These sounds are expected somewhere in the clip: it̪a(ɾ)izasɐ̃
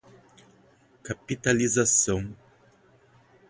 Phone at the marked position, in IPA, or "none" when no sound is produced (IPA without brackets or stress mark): l